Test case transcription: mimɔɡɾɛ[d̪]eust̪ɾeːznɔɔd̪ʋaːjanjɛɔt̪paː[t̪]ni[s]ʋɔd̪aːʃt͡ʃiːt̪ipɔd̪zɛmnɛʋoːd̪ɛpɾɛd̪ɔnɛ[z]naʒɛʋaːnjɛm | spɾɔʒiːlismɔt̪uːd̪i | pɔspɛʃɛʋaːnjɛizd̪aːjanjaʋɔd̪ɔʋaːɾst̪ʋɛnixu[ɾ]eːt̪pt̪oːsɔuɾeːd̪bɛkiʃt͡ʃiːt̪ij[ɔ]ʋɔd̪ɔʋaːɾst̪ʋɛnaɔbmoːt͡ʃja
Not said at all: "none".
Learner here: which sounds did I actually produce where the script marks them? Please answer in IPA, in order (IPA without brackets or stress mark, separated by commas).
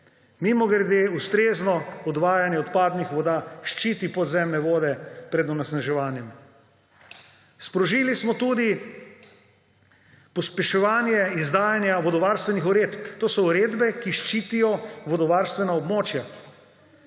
d̪, d̪, x, s, ɾ, ɔ